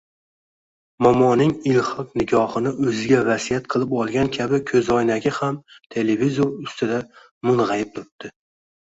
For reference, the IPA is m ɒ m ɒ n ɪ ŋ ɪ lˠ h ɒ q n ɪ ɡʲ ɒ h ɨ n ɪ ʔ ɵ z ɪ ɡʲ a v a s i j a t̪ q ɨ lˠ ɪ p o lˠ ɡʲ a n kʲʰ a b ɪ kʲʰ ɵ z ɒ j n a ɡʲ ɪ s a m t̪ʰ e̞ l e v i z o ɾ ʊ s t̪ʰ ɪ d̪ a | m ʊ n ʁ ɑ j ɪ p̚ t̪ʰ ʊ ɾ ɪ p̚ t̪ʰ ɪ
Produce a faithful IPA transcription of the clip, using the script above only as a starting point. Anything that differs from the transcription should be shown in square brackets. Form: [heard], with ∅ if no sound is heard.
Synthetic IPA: m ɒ m ɒ n ɪ ŋ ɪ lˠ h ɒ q n ɪ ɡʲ ɒ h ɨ n ɪ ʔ ɵ z ɪ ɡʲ a v a s i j a t̪ [qʰ] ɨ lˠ ɪ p [ɒ] lˠ ɡʲ a n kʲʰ a b ɪ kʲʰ ɵ z ɒ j n a ɡʲ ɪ [h] a m t̪ʰ e̞ l e v i z o ɾ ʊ s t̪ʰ ɪ d̪ a | m ʊ n ʁ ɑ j ɪ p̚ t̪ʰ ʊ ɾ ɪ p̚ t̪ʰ ɪ